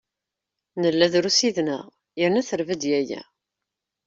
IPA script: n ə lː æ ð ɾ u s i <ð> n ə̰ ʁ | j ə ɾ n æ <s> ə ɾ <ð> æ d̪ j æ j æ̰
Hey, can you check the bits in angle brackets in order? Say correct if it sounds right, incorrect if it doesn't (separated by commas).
correct, incorrect, incorrect